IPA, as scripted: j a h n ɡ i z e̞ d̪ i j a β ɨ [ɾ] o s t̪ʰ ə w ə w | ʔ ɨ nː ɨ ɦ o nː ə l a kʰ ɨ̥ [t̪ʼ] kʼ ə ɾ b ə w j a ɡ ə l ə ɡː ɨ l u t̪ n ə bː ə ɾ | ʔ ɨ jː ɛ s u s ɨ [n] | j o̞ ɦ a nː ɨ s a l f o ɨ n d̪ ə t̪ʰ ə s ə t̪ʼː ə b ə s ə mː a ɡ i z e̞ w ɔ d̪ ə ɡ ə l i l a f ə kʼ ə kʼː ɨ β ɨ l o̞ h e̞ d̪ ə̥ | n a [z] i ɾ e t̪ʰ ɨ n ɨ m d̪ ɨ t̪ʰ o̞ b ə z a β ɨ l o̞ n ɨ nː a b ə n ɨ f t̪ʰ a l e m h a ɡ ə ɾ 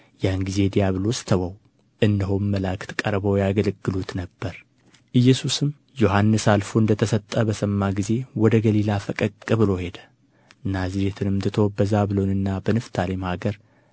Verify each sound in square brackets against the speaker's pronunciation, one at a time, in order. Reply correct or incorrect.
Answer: incorrect, incorrect, incorrect, correct

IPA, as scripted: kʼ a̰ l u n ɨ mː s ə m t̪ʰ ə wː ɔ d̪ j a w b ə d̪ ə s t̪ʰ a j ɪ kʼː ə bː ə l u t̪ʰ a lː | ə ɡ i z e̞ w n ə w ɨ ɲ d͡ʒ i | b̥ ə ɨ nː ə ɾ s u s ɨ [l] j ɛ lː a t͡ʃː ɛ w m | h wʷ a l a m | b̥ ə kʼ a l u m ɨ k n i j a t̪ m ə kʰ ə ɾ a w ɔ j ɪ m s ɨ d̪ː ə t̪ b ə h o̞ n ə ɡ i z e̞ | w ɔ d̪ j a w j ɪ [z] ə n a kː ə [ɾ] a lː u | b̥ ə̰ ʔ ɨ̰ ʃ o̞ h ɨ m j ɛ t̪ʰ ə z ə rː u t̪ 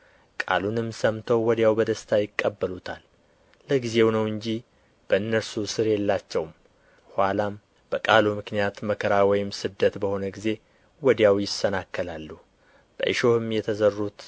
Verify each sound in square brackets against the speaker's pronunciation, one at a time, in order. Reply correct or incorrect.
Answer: incorrect, incorrect, incorrect

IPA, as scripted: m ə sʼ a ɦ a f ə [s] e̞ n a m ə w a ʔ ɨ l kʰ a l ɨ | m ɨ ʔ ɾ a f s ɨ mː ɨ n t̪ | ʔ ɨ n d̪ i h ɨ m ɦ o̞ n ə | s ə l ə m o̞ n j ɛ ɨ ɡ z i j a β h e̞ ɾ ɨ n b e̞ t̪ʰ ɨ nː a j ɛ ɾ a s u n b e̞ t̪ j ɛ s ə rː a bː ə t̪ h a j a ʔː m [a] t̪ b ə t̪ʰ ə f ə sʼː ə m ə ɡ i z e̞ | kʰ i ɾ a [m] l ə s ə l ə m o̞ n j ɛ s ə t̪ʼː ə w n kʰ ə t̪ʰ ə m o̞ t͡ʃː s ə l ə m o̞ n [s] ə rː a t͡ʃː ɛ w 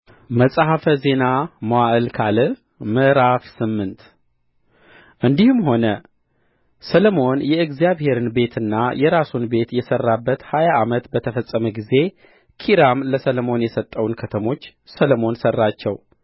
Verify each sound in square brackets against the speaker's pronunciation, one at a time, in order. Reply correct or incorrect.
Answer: incorrect, incorrect, correct, correct

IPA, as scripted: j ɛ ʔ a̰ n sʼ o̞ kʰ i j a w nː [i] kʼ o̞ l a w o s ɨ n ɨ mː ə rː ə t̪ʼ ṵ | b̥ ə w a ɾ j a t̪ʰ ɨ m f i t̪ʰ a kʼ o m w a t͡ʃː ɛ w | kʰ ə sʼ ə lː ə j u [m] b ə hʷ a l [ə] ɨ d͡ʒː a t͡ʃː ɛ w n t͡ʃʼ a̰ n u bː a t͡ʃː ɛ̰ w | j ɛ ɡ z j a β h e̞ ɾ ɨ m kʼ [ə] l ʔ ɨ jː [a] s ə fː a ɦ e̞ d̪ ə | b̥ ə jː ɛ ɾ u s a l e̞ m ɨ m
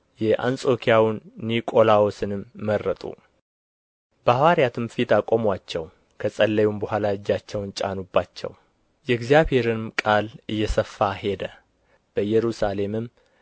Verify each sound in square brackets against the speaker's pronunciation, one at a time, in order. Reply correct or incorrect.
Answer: correct, correct, incorrect, incorrect, incorrect

